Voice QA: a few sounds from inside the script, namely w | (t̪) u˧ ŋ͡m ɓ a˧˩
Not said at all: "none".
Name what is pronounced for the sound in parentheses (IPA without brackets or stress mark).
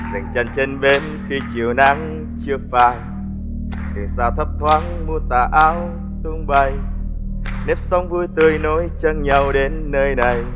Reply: t̪